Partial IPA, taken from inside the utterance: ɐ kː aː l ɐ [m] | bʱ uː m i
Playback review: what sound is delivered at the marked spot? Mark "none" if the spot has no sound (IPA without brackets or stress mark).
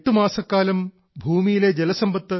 m